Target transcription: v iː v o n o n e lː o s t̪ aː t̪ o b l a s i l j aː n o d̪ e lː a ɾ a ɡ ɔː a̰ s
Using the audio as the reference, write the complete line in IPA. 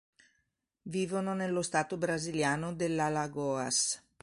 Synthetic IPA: v iː v o n o n e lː o s t̪ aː t̪ o b ɾ a z i l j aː n o d̪ e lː a l a ɡ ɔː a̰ s